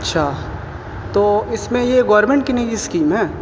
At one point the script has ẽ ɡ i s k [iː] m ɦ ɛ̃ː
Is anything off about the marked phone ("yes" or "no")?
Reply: no